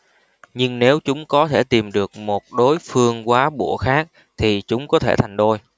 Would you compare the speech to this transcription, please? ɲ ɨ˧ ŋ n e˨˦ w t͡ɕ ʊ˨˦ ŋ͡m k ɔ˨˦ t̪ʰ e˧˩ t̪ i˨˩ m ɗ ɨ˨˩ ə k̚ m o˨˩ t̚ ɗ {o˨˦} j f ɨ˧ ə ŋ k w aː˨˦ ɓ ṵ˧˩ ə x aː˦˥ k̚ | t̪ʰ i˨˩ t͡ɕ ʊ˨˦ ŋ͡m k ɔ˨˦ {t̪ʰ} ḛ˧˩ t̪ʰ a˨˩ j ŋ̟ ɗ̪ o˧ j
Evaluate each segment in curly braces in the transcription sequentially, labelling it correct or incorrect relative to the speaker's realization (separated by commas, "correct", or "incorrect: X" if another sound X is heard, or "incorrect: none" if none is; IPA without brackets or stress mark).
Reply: correct, correct